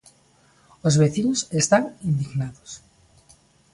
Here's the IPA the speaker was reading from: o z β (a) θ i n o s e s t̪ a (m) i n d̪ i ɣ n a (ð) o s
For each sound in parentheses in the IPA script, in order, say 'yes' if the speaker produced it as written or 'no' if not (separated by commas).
no, no, yes